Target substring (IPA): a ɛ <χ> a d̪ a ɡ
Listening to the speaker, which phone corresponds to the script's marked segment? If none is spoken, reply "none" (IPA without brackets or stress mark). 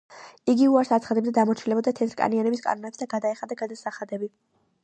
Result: χ